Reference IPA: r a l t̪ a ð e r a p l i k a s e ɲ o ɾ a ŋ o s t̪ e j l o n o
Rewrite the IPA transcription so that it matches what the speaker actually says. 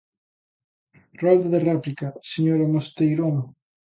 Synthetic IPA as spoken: r a l d̪ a ð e r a p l i k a s e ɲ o ɾ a m o s t̪ e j ɾ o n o